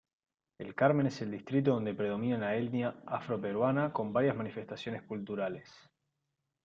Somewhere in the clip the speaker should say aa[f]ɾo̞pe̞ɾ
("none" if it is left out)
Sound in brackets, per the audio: f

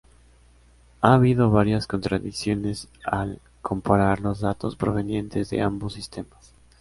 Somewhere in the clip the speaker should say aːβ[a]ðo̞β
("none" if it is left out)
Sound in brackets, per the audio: i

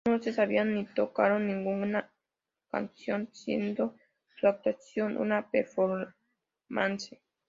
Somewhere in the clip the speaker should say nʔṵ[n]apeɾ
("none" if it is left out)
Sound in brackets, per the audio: n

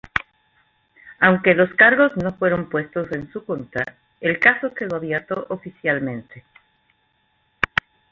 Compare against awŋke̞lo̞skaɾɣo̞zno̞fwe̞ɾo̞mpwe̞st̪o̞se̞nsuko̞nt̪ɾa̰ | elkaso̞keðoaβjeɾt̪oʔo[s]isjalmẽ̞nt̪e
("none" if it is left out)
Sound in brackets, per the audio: f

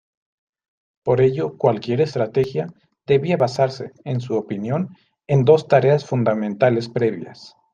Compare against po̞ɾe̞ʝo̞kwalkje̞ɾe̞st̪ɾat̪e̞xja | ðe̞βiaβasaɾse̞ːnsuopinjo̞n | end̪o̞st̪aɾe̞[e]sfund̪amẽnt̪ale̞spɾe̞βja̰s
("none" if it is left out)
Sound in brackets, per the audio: a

